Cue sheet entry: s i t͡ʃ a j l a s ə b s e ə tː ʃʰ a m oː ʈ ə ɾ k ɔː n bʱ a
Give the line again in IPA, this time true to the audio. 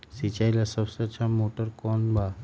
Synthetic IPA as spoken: s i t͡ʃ a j l a s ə b s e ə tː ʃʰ a m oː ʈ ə ɾ k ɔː n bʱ a